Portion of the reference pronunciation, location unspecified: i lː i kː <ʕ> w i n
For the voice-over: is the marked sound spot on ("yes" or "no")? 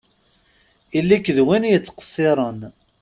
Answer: no